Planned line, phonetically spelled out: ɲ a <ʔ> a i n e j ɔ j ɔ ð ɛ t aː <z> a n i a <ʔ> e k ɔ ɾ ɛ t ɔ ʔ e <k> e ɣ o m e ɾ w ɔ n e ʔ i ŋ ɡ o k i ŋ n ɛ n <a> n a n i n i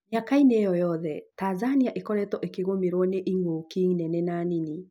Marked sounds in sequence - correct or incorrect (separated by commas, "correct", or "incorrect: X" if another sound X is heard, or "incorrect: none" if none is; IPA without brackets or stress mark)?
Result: incorrect: k, correct, correct, correct, incorrect: ɛ